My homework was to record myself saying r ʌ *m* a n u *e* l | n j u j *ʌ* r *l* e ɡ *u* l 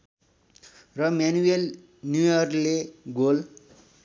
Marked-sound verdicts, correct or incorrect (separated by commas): correct, correct, correct, correct, incorrect